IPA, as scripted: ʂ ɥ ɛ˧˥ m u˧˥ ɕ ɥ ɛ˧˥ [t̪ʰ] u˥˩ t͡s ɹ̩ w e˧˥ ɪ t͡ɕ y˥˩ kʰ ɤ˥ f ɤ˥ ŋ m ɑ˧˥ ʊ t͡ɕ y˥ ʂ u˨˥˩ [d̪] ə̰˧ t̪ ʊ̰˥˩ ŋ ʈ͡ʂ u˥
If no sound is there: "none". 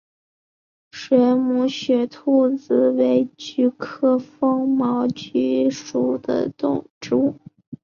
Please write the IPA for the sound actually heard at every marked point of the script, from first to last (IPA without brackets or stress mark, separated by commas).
t̪ʰ, d̪